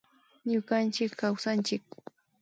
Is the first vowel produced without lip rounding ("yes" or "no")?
no